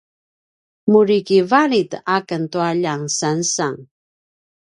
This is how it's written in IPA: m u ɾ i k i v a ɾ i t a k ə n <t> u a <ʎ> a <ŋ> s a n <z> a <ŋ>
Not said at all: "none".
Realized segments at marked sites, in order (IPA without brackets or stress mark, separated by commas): t, ʎ, ŋ, s, ŋ